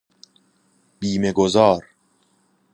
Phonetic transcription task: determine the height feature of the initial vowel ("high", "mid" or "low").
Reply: high